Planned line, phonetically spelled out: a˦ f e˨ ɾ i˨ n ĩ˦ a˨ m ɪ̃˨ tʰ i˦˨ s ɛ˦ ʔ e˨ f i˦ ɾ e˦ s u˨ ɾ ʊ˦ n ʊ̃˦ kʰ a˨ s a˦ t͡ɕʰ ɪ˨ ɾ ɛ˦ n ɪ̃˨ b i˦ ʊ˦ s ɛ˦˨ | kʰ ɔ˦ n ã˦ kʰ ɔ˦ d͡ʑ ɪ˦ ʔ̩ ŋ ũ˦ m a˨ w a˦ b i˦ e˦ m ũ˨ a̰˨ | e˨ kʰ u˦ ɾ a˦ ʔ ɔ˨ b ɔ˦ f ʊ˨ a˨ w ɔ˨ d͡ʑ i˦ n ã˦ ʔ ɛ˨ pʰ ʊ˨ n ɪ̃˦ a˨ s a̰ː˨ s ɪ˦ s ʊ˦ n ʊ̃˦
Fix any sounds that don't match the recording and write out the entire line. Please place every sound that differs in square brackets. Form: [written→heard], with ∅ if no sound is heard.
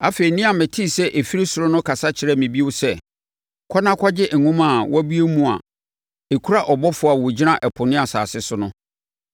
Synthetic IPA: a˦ f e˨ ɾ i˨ n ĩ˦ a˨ m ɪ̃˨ tʰ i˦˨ s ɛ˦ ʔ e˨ f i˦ ɾ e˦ s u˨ ɾ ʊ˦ n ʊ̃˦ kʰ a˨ s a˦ t͡ɕʰ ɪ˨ ɾ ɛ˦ [n→m] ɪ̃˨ b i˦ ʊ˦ s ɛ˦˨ | kʰ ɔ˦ n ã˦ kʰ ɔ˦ d͡ʑ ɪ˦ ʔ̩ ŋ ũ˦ m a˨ w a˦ b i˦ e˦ m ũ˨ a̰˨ | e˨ kʰ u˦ ɾ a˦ ʔ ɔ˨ b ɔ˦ f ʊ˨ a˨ w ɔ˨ d͡ʑ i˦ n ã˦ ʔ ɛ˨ pʰ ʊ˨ n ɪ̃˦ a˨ s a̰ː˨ s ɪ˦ s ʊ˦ n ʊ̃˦